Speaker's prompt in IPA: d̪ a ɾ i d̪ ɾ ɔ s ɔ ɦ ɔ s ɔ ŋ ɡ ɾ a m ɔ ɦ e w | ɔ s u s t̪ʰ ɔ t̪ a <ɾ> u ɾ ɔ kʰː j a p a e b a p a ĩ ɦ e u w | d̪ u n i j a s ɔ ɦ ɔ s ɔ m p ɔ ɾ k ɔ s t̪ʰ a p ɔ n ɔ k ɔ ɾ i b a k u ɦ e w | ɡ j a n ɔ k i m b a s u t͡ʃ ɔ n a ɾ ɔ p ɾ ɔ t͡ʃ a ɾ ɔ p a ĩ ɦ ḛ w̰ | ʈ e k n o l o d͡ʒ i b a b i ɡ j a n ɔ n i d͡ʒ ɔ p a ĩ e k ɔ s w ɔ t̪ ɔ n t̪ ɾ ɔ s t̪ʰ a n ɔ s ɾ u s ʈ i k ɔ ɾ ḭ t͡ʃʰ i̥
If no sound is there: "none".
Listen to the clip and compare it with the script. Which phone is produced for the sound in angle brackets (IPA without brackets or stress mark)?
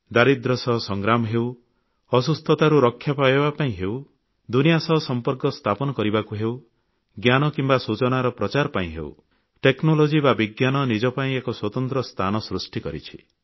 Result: ɾ